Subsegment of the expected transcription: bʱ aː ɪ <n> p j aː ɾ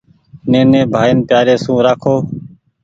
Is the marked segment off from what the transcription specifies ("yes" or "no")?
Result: no